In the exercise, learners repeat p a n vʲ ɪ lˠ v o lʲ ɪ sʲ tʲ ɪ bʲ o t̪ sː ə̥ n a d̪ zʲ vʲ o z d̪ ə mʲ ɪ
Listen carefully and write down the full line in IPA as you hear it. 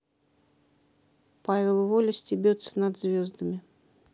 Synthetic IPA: p a vʲ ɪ lˠ v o lʲ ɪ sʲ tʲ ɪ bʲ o t̪ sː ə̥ n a d̪ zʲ vʲ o z d̪ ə mʲ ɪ